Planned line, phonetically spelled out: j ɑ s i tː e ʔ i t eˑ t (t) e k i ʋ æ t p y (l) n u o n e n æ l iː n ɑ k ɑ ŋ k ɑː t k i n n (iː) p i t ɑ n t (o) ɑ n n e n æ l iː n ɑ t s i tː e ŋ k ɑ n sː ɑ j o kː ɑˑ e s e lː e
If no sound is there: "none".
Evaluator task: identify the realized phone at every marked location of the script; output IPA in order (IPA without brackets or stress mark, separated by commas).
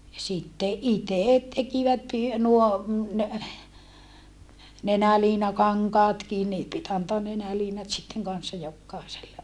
t, none, iː, o